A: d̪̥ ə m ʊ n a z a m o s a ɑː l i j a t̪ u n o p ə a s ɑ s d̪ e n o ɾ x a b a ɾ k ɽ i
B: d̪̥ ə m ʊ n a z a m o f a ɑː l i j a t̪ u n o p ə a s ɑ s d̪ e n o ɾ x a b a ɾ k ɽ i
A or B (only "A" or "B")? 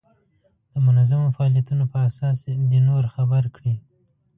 B